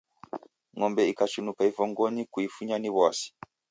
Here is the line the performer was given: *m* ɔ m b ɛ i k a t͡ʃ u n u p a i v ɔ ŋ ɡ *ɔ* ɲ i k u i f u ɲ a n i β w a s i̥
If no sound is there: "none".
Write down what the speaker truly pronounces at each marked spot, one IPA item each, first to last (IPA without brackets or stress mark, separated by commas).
ŋ, ɔ